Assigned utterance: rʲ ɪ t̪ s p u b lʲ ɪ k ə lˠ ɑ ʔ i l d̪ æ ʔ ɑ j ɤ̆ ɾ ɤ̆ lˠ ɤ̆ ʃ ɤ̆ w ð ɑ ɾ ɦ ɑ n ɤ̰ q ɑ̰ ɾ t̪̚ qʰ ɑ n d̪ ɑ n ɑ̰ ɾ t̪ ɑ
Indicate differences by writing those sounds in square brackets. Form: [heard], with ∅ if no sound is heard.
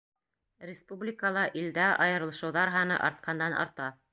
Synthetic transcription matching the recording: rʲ ɪ [∅] s p u b lʲ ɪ k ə lˠ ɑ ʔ i l d̪ æ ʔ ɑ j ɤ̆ ɾ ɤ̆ lˠ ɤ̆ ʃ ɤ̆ w ð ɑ ɾ ɦ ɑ n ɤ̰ [ʔ] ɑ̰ ɾ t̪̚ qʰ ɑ n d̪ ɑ n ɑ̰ ɾ t̪ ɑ